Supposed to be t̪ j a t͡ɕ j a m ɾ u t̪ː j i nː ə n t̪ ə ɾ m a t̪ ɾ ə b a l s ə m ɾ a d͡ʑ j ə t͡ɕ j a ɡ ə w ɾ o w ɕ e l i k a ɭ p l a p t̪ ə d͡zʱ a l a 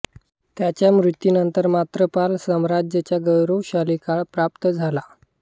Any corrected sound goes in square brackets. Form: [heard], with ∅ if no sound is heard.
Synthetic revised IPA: t̪ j a t͡ɕ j a m ɾ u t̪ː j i [n] ə n t̪ ə ɾ m a t̪ ɾ ə [p] a l s ə m ɾ a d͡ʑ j ə t͡ɕ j a ɡ ə w ɾ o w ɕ [a] l i k a ɭ p [ɾ] a p t̪ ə d͡zʱ a l a